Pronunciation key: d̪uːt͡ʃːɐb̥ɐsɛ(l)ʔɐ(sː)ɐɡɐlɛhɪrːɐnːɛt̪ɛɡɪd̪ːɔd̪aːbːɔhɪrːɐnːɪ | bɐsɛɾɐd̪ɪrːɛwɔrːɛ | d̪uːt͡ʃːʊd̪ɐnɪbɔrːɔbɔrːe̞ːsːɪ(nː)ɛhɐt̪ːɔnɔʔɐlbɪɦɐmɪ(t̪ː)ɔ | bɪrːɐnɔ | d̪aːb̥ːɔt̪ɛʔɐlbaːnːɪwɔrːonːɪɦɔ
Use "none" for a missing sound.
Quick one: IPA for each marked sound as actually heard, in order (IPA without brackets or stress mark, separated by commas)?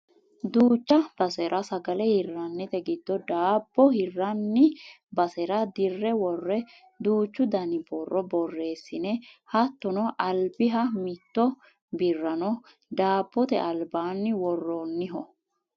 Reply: ɾ, s, n, t̪ː